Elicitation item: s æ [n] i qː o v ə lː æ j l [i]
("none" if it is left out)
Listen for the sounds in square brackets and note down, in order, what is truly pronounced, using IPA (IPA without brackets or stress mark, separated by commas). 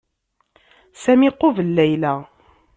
m, æ